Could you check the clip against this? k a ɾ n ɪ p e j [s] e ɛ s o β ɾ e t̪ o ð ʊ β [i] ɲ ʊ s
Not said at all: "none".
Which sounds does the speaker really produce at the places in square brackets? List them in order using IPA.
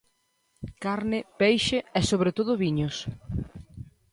ʃ, i

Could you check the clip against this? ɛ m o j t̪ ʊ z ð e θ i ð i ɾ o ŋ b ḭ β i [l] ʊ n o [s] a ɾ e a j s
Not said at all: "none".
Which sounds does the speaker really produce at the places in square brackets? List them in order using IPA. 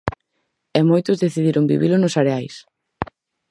l, s

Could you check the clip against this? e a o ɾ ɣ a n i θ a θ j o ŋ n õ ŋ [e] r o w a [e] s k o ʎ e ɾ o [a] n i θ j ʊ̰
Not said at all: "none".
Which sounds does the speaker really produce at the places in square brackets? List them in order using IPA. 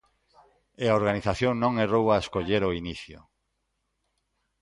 e, e, i

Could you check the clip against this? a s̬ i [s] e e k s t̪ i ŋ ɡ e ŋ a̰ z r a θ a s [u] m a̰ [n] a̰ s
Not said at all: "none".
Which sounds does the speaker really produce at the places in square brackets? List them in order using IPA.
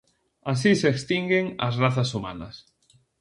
s, u, n

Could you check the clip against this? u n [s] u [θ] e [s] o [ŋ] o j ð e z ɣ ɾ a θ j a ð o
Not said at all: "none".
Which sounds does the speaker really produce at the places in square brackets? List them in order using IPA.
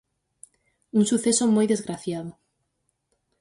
s, θ, s, m

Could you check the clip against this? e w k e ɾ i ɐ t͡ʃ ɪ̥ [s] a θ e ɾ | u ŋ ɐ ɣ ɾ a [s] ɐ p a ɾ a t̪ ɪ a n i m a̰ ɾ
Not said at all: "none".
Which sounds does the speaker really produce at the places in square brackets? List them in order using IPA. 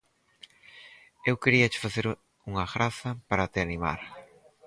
f, θ

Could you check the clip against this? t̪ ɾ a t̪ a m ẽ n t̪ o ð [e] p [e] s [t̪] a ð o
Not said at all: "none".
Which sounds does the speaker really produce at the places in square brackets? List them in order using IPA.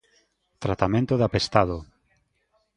a, e, t̪

